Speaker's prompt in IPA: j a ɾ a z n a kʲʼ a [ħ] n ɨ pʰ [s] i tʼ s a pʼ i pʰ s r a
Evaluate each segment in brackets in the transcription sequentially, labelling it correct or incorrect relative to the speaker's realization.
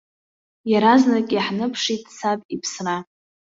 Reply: correct, incorrect: ʂ

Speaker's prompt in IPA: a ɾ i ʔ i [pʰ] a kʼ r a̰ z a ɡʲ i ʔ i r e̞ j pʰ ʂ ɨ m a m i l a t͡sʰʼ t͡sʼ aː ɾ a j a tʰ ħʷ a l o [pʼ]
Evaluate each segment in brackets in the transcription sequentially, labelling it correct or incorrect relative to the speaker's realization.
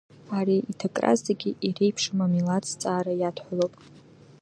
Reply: incorrect: tʰ, correct

